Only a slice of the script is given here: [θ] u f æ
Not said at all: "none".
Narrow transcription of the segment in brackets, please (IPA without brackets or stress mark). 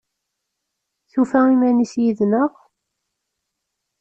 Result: θ